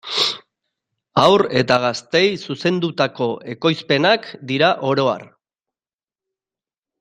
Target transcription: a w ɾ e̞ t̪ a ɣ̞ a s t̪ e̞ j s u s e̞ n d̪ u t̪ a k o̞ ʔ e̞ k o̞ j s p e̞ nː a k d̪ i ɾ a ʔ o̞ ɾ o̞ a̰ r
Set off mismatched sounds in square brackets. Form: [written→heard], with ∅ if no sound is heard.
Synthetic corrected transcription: a w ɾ e̞ t̪ a ɣ̞ a s t̪ e̞ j s u s e̞ n d̪ u t̪ a k o̞ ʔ e̞ k o̞ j s p e̞ [nː→n] a k d̪ i ɾ a ʔ o̞ ɾ o̞ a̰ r